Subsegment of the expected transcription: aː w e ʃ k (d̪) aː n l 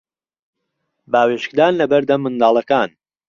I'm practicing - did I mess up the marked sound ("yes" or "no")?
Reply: no